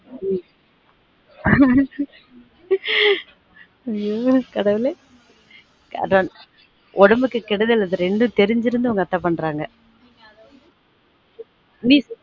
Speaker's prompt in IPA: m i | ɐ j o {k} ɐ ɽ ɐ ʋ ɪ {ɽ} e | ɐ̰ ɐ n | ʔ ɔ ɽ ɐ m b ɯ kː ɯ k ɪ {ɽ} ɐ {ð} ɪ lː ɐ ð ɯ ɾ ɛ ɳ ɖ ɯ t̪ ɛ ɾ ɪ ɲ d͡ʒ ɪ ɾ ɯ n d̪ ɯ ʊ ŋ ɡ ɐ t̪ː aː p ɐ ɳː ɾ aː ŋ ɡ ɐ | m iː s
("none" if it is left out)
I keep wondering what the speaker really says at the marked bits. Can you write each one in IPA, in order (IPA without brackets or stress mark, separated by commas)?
k, l, ɽ, ð